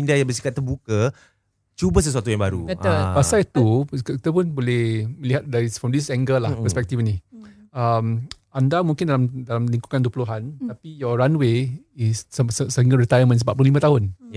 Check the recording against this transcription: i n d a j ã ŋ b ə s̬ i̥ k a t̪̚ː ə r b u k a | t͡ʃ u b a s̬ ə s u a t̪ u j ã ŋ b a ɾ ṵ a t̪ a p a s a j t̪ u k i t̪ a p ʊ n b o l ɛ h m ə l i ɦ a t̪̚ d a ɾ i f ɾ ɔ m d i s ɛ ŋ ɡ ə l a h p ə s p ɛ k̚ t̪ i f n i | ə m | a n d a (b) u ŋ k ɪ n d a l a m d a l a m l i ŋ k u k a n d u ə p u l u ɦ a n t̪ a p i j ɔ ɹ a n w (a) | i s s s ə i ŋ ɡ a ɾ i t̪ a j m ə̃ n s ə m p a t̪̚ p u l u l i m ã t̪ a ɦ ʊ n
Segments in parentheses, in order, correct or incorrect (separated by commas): incorrect, incorrect